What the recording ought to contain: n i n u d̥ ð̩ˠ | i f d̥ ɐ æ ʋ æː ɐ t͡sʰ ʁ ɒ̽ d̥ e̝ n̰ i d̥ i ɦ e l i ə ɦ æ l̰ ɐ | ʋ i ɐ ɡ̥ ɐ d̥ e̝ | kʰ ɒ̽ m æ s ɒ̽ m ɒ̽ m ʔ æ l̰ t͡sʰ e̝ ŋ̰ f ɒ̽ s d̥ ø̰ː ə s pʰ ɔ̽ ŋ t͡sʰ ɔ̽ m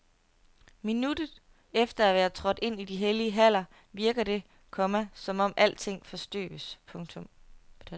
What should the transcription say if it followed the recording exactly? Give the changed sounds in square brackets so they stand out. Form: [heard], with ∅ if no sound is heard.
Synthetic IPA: [m] i n u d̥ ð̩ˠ | [e] f d̥ ɐ æ ʋ æː ɐ t͡sʰ ʁ ɒ̽ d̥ e̝ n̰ i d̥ i ɦ e l i ə ɦ æ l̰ ɐ | ʋ i ɐ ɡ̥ ɐ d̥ e̝ | kʰ ɒ̽ m æ s ɒ̽ m ɒ̽ m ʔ æ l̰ t͡sʰ e̝ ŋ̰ f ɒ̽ s d̥ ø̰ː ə s pʰ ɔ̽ ŋ t͡sʰ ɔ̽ m